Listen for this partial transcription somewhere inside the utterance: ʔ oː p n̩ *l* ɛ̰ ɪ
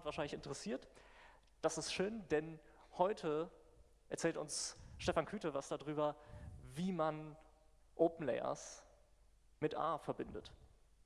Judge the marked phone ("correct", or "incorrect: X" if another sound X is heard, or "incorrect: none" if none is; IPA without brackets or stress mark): correct